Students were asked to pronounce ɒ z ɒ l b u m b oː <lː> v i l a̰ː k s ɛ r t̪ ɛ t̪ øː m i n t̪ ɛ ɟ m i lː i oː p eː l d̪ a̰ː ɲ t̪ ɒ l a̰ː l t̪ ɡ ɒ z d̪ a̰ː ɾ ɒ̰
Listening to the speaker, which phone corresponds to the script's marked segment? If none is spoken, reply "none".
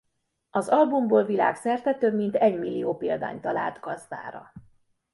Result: l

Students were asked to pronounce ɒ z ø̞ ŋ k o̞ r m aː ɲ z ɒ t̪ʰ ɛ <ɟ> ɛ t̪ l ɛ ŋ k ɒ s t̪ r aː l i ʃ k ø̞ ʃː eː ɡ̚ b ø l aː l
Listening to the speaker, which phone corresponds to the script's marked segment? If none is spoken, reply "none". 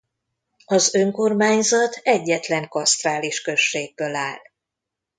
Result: ɟː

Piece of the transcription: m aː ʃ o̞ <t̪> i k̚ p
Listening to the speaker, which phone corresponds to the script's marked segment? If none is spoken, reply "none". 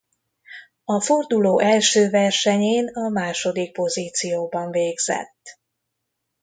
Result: d̪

